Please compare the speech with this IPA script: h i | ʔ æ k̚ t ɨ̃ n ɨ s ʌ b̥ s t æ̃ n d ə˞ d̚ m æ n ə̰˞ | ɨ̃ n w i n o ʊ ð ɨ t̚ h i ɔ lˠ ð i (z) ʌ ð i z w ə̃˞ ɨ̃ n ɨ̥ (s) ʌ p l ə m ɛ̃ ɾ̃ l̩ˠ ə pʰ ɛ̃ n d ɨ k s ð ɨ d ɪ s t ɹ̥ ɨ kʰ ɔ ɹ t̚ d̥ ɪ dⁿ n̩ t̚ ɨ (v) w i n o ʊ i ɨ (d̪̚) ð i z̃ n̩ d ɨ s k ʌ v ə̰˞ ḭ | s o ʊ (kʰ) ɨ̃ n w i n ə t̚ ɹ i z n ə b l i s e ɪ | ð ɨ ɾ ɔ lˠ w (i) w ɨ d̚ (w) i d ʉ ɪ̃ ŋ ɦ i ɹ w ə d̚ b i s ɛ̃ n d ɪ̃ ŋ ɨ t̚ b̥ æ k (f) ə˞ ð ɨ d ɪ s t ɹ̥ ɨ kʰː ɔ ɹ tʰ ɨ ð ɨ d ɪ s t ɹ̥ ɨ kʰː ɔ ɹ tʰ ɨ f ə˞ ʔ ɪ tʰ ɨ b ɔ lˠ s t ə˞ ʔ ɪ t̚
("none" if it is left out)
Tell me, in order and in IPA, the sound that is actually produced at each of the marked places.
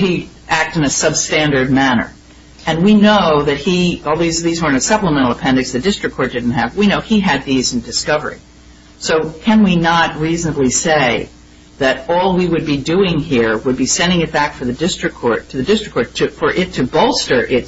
z, s, v, d̪̚, kʰ, i, b, f

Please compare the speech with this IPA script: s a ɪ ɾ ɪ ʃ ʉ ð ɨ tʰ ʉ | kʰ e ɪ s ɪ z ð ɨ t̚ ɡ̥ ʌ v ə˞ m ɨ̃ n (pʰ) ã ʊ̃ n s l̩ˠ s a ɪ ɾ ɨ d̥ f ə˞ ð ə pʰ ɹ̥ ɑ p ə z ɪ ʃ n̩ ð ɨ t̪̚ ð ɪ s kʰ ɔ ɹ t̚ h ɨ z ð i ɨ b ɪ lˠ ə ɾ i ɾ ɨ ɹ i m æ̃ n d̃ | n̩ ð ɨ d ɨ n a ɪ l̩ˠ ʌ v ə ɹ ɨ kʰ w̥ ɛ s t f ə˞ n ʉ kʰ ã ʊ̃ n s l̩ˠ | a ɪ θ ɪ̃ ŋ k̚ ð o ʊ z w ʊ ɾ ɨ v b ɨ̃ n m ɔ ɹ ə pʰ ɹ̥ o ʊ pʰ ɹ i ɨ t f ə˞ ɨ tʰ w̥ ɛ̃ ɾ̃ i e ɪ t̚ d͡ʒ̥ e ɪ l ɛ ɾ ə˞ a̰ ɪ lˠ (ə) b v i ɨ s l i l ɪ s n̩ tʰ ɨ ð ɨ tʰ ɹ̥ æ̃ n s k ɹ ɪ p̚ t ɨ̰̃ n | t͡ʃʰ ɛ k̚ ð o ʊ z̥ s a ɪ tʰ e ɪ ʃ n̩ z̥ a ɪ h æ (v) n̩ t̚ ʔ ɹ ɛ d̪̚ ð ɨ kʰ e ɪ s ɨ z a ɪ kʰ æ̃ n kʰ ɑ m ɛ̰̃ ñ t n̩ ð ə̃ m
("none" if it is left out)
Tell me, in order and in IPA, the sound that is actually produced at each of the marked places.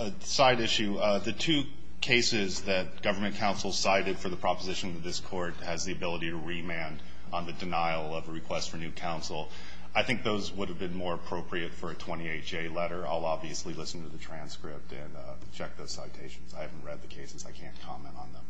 kʰ, ɑ, v

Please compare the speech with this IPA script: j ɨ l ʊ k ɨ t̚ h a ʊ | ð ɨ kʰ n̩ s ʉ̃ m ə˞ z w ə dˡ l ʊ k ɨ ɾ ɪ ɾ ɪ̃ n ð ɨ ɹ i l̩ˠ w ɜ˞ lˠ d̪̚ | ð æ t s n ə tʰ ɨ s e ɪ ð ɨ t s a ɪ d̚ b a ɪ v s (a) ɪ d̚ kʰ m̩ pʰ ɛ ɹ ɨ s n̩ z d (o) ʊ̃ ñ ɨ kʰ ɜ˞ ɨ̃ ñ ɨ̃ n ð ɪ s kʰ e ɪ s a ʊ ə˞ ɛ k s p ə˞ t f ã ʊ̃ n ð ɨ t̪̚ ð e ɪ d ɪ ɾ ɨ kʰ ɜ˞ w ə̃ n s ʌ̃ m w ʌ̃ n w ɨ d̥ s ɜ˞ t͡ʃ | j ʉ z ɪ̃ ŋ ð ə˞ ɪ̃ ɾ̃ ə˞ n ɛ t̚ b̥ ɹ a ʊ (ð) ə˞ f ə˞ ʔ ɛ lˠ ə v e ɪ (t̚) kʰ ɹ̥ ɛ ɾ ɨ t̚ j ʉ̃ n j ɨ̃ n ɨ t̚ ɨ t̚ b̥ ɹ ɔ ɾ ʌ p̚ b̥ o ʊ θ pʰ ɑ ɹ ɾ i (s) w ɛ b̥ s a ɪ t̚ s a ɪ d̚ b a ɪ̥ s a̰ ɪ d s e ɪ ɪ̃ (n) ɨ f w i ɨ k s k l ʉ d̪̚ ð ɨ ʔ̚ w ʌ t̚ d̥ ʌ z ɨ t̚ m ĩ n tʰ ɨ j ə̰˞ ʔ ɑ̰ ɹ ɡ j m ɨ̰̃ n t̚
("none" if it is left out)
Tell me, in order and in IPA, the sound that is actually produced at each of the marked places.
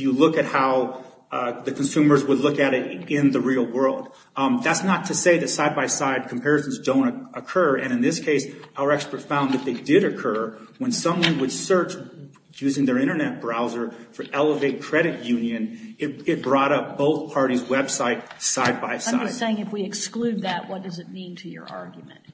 a, õ, z, t̚, z, ŋ

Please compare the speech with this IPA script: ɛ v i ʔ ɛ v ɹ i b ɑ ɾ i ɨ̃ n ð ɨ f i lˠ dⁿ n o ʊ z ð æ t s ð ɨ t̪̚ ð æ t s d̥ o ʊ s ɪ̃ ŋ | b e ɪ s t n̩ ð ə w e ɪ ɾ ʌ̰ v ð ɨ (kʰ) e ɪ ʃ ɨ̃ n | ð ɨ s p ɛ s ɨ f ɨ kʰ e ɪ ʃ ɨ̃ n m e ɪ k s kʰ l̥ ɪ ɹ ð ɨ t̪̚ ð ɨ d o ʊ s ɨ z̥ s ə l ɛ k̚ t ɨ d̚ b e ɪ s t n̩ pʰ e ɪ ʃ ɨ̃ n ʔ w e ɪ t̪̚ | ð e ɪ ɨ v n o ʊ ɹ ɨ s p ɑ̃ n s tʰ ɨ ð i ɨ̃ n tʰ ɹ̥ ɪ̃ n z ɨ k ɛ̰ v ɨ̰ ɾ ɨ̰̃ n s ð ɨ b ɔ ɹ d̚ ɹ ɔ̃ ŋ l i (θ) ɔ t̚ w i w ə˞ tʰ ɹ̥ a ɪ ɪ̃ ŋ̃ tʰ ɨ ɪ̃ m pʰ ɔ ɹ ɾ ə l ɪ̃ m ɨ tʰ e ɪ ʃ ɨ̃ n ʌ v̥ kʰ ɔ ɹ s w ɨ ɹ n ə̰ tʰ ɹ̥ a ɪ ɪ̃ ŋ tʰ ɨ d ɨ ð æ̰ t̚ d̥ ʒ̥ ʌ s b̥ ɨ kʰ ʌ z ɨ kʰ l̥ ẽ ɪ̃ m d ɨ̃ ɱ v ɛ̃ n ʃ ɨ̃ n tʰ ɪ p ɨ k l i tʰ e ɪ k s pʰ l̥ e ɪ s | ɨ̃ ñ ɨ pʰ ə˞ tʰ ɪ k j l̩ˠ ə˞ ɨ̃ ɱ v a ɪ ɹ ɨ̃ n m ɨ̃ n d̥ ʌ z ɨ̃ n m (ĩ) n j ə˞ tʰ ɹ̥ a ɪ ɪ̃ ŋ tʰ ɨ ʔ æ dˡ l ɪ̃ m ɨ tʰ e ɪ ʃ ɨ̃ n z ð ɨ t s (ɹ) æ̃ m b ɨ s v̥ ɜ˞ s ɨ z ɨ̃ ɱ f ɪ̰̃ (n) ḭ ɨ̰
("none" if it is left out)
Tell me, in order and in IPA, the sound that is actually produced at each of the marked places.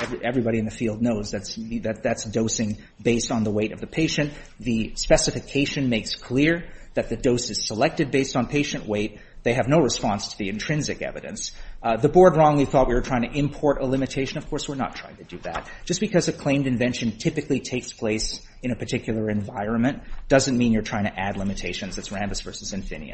pʰ, θ, ĩ, ɹ, n

